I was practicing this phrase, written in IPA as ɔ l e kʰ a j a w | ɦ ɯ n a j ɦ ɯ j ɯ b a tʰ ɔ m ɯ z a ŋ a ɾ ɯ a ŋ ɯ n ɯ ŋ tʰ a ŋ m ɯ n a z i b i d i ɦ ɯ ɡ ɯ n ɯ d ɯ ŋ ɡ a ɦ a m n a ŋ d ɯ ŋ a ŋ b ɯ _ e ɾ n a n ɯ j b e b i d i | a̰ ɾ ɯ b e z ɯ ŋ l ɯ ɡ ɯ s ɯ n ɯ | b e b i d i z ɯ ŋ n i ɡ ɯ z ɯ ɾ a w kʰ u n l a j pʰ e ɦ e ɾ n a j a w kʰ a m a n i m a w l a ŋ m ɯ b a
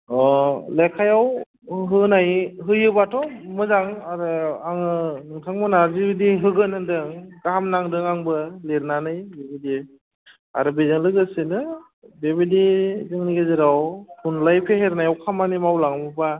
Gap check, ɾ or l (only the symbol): l